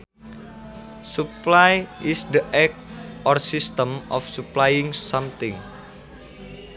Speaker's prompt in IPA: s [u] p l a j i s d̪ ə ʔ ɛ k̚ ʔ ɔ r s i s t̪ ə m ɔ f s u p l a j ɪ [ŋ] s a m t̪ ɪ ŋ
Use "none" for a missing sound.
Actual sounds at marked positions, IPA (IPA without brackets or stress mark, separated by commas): u, ŋ